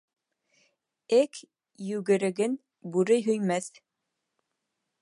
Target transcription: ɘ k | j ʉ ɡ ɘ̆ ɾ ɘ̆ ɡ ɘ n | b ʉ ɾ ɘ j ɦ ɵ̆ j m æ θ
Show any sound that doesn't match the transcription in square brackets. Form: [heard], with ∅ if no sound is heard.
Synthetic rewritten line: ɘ k | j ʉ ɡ ɘ̆ ɾ ɘ̆ ɡ ɘ n | b ʉ ɾ ɘ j ɦ ɵ̆ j m æ θ